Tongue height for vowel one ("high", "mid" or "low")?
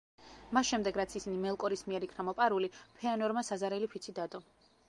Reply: low